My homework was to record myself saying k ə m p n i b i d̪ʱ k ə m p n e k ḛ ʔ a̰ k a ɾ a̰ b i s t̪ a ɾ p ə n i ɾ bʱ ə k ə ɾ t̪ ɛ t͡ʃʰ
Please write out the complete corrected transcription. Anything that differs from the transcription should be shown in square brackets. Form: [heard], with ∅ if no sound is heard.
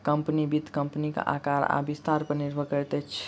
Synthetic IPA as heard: k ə m p n i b i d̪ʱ k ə m p n [i] k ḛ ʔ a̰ k a ɾ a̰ b i s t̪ a ɾ p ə n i ɾ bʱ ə k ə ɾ t̪ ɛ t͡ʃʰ